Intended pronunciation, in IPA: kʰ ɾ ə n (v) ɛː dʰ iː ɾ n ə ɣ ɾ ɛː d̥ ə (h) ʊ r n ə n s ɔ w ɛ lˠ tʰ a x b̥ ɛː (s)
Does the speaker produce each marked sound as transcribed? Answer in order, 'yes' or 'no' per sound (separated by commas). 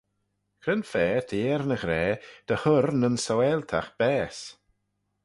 no, yes, yes